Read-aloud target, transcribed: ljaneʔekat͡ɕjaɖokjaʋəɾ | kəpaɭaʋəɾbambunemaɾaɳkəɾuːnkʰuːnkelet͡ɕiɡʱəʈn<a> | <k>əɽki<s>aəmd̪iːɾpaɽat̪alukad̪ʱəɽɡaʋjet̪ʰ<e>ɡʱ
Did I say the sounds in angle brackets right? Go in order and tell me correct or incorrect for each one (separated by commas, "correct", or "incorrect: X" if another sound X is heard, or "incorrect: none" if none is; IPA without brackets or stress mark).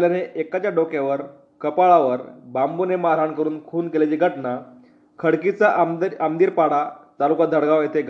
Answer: correct, incorrect: kʰ, incorrect: t͡s, correct